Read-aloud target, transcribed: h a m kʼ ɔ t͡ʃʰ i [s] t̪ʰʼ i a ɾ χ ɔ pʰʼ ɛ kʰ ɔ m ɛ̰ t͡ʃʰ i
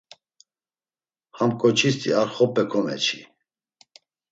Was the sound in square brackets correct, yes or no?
yes